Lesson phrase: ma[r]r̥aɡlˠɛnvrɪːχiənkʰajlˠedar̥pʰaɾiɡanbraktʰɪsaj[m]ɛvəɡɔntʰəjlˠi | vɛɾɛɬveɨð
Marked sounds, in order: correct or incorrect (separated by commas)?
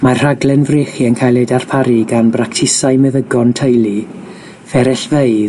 correct, correct